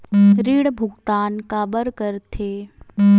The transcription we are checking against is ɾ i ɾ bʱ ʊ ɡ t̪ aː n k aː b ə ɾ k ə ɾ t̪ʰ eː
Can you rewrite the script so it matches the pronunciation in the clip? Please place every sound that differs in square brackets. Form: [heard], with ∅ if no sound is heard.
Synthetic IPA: ɾ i [ɽ] bʱ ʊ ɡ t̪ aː n k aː b ə ɾ k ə ɾ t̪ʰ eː

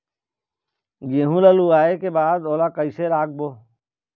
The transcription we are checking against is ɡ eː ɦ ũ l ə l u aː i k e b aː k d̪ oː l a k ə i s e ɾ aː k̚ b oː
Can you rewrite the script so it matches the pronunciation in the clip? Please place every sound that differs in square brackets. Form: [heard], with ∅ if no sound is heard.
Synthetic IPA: ɡ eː ɦ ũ l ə l u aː [e] k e b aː [∅] d̪ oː l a k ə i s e ɾ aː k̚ b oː

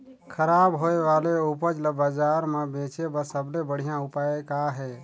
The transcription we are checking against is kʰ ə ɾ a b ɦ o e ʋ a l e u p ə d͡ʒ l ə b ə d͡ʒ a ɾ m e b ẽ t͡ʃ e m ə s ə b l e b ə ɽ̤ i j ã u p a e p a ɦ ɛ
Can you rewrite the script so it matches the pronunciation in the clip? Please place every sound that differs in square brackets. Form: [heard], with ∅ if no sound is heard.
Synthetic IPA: kʰ ə ɾ a b ɦ o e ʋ a l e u p ə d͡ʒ l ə b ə d͡ʒ a ɾ m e b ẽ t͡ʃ e [b] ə s ə b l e b ə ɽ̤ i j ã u p a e [k] a ɦ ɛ

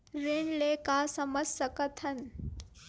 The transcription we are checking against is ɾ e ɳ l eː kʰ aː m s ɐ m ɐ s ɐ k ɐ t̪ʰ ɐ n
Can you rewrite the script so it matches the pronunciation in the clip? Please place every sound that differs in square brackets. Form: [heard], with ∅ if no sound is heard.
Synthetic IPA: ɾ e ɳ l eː [k] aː [∅] s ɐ m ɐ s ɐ k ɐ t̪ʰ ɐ n

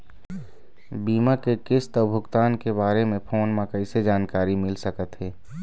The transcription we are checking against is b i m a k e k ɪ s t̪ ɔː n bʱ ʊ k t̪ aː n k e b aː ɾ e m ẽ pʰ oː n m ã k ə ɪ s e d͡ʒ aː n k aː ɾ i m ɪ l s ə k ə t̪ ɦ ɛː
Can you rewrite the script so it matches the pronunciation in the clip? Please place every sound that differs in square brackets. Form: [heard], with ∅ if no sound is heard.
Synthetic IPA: b [iː] m a k e k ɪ s t̪ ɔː [∅] bʱ ʊ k t̪ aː n k e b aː ɾ e m ẽ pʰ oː n m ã k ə ɪ s e d͡ʒ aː n k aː ɾ i m ɪ l s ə k ə t̪ ɦ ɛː

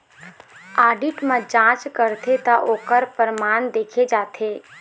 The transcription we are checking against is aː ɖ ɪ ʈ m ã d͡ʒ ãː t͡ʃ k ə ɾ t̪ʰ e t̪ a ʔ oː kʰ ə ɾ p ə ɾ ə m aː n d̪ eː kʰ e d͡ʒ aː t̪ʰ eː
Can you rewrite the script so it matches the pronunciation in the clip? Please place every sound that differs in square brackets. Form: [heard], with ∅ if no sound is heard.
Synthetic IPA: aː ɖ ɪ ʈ m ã d͡ʒ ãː t͡ʃ k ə ɾ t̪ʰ e t̪ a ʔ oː [k] ə ɾ p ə ɾ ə m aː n d̪ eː kʰ e d͡ʒ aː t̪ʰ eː

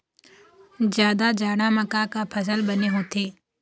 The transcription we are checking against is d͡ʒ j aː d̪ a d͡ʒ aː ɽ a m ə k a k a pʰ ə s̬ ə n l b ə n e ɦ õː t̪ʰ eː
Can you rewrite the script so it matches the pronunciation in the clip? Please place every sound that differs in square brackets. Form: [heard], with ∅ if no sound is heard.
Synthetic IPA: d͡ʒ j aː d̪ a d͡ʒ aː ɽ a m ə k a k a pʰ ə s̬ ə [∅] l b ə n e ɦ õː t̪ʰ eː

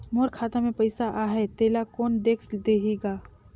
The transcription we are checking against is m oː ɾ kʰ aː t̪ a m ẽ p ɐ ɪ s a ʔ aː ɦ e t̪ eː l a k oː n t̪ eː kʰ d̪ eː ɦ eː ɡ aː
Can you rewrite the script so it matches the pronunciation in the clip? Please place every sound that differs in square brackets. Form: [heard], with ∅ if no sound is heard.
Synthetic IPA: m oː ɾ kʰ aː t̪ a m ẽ p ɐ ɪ s a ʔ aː ɦ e t̪ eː l a k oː n [d̪] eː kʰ d̪ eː ɦ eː ɡ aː

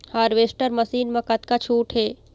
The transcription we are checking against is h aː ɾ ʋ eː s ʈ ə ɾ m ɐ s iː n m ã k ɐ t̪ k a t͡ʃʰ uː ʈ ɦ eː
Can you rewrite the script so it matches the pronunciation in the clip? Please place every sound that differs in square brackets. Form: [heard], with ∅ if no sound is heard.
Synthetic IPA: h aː ɾ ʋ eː s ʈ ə ɾ m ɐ s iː n m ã k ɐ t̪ k a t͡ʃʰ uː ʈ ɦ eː

